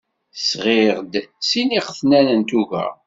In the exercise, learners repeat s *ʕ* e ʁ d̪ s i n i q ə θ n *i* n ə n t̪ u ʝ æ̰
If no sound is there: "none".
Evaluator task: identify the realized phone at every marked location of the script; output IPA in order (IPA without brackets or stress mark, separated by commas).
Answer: ʁ, æ